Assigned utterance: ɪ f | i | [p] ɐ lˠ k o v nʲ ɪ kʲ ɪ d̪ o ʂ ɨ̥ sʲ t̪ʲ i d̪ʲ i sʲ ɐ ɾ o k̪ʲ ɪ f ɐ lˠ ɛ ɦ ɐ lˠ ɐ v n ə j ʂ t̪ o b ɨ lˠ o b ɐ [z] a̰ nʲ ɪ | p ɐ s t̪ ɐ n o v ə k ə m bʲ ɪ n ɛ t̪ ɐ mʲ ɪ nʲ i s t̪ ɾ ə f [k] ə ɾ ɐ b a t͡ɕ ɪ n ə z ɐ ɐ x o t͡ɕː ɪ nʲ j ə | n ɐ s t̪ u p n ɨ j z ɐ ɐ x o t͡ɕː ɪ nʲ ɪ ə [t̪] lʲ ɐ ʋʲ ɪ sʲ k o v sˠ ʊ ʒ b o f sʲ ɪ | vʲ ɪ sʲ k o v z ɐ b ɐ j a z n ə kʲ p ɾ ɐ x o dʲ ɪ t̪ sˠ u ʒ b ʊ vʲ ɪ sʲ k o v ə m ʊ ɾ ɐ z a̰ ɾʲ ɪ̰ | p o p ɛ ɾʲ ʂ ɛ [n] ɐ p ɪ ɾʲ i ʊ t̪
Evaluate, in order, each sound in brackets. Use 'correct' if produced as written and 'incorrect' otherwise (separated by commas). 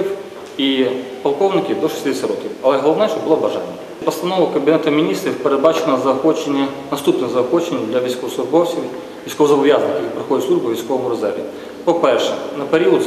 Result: correct, incorrect, incorrect, incorrect, correct